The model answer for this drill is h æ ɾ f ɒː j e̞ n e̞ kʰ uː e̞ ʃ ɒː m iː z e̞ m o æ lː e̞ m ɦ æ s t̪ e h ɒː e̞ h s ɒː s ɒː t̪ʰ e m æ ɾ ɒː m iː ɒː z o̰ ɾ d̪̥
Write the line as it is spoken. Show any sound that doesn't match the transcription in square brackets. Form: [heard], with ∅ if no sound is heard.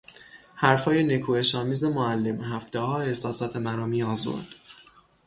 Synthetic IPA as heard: h æ ɾ f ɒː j e̞ n e̞ kʰ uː e̞ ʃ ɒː m iː z e̞ m o æ lː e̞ m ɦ æ [f] t̪ e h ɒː e̞ h s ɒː s ɒː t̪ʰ e m æ ɾ ɒː m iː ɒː z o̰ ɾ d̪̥